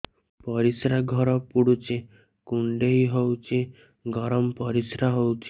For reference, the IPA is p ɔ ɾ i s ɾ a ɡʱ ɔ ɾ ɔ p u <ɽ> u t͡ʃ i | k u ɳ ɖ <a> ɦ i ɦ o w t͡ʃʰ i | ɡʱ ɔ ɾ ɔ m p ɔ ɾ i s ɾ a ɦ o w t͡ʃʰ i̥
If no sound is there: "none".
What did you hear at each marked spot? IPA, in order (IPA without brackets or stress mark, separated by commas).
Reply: ɽ, e